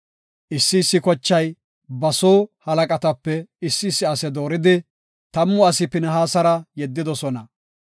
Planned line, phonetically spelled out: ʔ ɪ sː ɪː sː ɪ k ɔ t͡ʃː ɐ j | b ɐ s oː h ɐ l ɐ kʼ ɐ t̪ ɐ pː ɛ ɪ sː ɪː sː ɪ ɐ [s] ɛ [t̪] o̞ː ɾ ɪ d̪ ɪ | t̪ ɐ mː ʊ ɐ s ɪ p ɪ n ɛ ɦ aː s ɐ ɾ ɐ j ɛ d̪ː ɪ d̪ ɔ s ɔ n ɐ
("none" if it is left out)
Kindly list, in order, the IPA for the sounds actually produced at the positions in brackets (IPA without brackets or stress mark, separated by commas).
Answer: s, d̪